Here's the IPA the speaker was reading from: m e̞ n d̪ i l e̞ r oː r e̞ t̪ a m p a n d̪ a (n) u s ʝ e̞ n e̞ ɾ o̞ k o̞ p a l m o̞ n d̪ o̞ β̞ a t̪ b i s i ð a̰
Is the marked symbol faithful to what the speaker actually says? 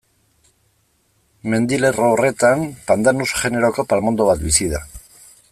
yes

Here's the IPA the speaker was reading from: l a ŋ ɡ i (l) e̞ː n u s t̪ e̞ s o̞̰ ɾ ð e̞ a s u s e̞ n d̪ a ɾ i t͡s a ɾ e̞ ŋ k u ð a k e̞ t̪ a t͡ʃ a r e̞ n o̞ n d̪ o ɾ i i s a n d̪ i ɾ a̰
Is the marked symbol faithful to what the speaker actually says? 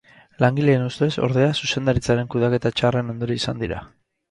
yes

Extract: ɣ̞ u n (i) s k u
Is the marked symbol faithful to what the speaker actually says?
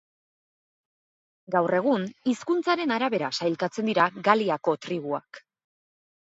yes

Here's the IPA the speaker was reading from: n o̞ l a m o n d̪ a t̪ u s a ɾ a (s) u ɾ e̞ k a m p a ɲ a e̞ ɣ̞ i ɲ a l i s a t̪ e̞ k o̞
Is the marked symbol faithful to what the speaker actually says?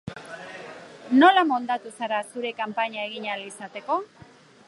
yes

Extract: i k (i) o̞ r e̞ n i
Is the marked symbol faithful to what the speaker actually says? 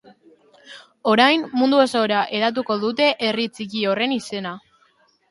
yes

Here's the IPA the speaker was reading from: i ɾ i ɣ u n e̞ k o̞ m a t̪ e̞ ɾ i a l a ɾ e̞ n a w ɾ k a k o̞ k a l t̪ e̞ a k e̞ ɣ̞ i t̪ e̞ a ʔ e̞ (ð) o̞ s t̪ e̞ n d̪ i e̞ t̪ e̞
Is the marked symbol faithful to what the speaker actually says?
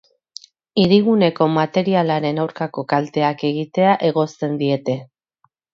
no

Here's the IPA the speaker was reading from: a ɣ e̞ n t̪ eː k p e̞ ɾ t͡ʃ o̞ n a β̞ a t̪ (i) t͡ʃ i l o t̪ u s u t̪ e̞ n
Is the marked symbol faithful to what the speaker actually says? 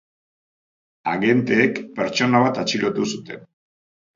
no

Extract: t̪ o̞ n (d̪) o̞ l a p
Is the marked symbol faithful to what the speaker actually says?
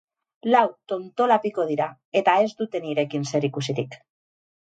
no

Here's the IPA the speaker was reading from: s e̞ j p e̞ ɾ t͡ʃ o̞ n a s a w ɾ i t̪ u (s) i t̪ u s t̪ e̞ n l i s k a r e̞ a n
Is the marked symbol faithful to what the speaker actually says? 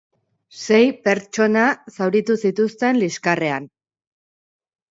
yes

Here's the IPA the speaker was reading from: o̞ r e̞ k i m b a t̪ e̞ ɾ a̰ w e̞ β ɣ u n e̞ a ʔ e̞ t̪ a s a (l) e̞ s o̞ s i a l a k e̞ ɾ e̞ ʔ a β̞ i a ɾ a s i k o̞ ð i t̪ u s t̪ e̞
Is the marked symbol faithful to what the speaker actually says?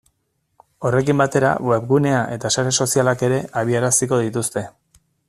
no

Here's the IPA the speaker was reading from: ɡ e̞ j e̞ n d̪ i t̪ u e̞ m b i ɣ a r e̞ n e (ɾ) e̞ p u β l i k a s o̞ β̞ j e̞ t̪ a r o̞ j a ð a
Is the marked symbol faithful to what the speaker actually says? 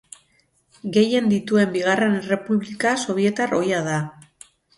no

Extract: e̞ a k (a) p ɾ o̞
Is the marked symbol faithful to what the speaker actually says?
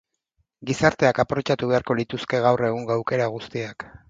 yes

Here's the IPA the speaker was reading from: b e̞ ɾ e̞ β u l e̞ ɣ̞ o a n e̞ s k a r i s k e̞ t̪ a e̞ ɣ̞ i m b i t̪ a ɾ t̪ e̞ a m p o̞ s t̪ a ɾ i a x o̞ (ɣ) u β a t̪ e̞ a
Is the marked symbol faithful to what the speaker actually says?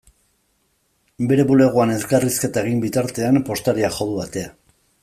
no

